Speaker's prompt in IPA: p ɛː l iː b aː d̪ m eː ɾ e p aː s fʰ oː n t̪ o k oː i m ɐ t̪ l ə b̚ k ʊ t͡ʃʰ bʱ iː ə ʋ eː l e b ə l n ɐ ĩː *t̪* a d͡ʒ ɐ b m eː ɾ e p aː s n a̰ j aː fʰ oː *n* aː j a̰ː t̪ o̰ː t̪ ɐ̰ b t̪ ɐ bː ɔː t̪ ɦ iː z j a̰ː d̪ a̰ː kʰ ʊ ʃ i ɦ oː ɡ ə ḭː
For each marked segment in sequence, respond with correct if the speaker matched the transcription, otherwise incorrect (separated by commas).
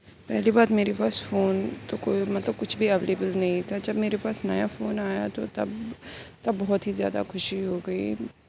correct, correct